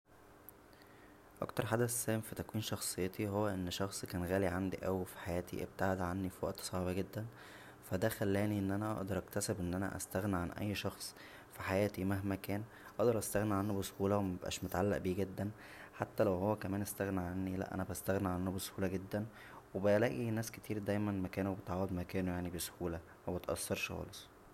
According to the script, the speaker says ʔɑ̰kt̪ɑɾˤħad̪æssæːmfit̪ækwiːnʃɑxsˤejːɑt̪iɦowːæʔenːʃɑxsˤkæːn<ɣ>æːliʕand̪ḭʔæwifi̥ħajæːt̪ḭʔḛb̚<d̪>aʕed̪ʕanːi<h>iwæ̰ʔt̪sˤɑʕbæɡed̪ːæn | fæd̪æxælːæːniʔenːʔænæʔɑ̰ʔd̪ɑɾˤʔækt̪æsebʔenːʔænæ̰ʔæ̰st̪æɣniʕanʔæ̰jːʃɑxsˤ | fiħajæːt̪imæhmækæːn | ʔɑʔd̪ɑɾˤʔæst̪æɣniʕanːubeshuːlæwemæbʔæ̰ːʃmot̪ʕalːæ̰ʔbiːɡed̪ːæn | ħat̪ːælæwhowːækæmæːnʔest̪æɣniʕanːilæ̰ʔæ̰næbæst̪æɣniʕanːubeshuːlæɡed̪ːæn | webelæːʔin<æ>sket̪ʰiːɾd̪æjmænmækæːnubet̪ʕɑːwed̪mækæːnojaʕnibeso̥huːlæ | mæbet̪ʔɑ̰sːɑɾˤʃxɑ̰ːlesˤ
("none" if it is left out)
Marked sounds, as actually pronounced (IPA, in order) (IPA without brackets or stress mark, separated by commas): ɣ, t̪, f, æː